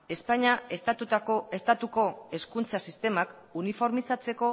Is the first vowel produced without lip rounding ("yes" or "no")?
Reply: yes